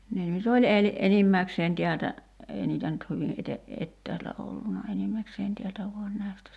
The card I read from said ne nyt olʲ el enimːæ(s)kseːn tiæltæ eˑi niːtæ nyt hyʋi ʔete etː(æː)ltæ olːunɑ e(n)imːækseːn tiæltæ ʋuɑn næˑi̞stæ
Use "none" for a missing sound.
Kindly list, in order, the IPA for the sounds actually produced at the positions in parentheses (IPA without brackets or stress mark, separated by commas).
none, æː, n